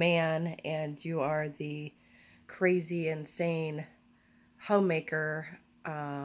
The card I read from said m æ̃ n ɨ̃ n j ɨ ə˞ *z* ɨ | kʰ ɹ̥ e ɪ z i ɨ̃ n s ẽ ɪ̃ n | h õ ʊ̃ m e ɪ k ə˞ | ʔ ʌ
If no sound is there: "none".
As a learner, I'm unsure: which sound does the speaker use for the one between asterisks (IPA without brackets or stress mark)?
ð